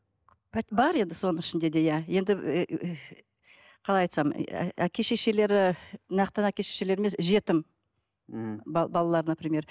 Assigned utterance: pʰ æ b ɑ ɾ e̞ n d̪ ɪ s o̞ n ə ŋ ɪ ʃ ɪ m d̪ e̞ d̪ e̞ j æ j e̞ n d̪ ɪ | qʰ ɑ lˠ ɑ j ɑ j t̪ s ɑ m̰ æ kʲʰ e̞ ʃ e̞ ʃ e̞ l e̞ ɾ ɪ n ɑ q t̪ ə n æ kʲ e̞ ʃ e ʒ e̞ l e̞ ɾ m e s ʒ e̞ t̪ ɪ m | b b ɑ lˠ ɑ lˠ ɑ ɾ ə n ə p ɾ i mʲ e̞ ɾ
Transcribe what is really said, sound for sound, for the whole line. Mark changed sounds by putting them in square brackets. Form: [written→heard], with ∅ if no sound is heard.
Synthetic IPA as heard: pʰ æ b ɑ ɾ e̞ n d̪ ɪ s o̞ n ə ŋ ɪ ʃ ɪ [m→n] d̪ e̞ d̪ e̞ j æ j e̞ n d̪ ɪ | qʰ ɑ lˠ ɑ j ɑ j t̪ s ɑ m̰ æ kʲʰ e̞ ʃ e̞ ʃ e̞ l e̞ ɾ ɪ n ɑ q t̪ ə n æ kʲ e̞ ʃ e [ʒ→ʃ] e̞ l e̞ ɾ m e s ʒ e̞ t̪ ɪ m | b b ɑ lˠ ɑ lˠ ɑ ɾ ə n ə p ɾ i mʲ e̞ ɾ